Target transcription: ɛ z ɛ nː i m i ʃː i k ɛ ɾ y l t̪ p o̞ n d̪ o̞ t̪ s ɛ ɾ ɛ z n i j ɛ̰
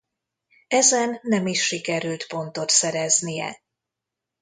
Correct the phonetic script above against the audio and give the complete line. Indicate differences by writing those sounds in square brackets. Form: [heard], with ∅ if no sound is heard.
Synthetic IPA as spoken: ɛ z ɛ nː [ɛ] m i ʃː i k ɛ ɾ y l t̪ p o̞ n [t̪] o̞ t̪ s ɛ ɾ ɛ z n i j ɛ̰

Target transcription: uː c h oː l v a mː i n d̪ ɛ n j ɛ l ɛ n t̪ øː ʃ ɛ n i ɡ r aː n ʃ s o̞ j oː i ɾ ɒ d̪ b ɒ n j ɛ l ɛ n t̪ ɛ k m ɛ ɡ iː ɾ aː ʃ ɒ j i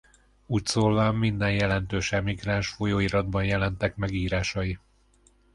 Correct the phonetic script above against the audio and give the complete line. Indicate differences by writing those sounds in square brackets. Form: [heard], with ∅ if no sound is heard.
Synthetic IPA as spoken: uː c [s] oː l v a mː i n d̪ ɛ n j ɛ l ɛ n t̪ øː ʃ ɛ [m] i ɡ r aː n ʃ [f] o̞ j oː i ɾ ɒ d̪ b ɒ n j ɛ l ɛ n t̪ ɛ k m ɛ ɡ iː ɾ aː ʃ ɒ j i

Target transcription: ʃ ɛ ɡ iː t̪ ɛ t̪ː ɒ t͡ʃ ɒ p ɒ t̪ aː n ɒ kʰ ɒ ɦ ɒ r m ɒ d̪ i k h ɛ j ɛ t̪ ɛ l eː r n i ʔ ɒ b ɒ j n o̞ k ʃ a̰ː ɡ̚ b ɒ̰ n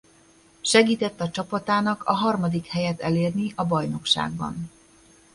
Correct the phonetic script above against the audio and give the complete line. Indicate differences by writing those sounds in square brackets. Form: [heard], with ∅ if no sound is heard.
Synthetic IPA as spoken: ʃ ɛ ɡ iː t̪ ɛ t̪ː ɒ t͡ʃ ɒ p ɒ t̪ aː n ɒ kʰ ɒ ɦ ɒ r m ɒ d̪ i k h ɛ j ɛ t̪ ɛ l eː r n i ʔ ɒ b ɒ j n o̞ k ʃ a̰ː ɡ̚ b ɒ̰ n

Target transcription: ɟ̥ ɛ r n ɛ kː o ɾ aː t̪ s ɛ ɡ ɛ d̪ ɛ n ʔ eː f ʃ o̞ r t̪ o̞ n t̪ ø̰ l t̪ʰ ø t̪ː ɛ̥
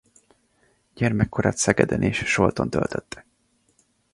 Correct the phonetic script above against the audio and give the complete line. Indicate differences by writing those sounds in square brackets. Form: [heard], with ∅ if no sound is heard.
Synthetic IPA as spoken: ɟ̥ ɛ r [m] ɛ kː o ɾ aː t̪ s ɛ ɡ ɛ d̪ ɛ n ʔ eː [ʃ] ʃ o̞ [l] t̪ o̞ n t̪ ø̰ l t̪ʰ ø t̪ː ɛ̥

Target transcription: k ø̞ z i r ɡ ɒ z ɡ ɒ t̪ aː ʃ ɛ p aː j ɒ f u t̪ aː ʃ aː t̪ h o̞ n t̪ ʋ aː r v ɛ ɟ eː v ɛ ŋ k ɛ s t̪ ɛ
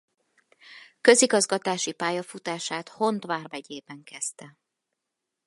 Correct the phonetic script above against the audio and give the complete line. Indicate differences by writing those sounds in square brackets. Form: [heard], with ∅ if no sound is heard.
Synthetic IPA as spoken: k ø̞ z i [∅] ɡ ɒ z ɡ ɒ t̪ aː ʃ [i] p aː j ɒ f u t̪ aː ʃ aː t̪ h o̞ n t̪ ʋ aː r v ɛ ɟ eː [b] ɛ ŋ k ɛ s t̪ ɛ

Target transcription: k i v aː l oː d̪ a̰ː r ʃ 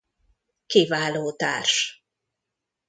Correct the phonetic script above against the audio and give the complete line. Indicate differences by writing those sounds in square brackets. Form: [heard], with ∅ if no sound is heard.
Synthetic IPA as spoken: k i v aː l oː [t̪] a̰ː r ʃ

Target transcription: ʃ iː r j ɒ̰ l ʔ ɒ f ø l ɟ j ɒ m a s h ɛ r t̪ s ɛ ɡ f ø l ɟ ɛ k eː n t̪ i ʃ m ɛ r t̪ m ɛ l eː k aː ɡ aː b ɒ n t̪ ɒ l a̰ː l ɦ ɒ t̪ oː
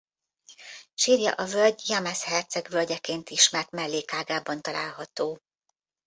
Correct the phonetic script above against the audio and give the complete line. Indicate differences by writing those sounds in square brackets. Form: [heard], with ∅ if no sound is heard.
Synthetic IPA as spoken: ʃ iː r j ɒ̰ [∅] ʔ ɒ [v] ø l ɟ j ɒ m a s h ɛ r t̪ s ɛ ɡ [v] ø l ɟ ɛ k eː n t̪ i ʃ m ɛ r t̪ m ɛ [lː] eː k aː ɡ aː b ɒ n t̪ ɒ l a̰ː l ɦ ɒ t̪ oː

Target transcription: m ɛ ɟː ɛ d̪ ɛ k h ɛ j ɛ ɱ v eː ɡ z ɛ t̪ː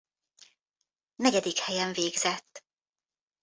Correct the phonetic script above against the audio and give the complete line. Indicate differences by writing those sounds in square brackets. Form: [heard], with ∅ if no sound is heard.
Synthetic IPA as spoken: [n] ɛ [ɟ] ɛ d̪ [i] k h ɛ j ɛ ɱ v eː ɡ z ɛ t̪ː

